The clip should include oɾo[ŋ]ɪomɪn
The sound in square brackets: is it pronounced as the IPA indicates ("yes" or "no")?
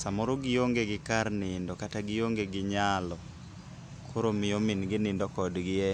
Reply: no